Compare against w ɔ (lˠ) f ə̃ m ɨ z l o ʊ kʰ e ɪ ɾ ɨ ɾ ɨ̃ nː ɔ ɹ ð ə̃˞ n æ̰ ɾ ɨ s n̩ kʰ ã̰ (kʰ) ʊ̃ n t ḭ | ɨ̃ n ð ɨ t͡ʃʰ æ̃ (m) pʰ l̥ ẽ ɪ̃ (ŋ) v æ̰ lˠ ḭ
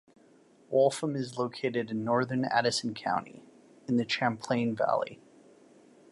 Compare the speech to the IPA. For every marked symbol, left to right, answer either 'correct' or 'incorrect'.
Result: correct, incorrect: none, correct, incorrect: n

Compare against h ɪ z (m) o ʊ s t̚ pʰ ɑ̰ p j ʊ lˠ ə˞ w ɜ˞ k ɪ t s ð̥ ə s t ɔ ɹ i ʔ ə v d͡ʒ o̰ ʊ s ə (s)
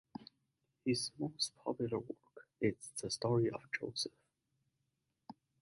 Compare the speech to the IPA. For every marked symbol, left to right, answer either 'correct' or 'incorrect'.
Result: correct, incorrect: f

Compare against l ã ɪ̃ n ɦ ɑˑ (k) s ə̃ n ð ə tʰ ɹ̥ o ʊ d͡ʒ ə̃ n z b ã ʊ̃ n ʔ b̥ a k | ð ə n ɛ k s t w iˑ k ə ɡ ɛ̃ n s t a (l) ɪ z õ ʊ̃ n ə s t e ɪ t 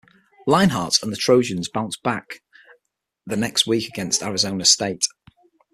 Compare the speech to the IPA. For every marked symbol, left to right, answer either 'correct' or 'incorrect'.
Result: incorrect: t, incorrect: ɹ

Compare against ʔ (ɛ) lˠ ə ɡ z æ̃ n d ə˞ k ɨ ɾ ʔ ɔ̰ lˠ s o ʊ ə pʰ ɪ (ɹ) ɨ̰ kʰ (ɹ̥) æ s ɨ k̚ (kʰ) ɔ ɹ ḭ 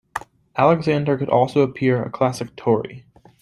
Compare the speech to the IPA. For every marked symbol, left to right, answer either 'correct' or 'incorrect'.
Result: incorrect: æ, correct, incorrect: l̥, incorrect: tʰ

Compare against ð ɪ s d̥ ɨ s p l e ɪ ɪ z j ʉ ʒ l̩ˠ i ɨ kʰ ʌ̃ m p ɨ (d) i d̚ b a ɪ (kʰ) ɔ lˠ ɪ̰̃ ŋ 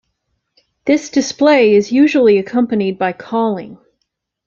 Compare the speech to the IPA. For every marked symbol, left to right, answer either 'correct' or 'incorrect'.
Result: incorrect: n, correct

